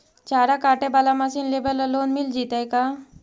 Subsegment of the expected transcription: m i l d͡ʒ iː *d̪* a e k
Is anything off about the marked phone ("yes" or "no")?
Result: yes